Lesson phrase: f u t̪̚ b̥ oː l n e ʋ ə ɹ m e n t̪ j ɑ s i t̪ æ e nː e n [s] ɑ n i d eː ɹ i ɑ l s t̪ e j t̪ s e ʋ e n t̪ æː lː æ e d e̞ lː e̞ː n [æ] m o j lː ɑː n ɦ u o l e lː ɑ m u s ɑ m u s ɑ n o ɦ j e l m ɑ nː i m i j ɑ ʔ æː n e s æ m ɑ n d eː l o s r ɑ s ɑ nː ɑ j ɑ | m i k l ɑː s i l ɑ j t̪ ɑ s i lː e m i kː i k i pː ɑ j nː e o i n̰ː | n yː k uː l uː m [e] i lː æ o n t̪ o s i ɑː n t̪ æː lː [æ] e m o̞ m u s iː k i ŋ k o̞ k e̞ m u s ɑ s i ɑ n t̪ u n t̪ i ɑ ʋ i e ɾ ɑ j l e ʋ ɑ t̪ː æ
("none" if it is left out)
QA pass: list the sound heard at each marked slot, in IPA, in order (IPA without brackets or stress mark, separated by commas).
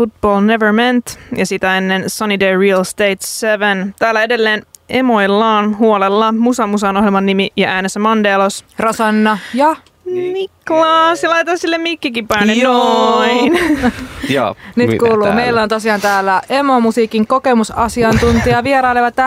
s, e, e, æ